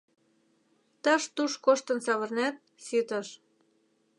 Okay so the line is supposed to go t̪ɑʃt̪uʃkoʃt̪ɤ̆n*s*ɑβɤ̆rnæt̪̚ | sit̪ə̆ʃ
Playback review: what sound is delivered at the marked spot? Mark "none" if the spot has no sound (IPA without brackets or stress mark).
s